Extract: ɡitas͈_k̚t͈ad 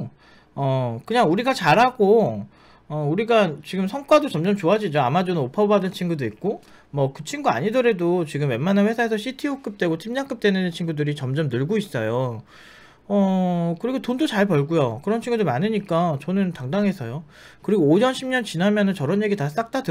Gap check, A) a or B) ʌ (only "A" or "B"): A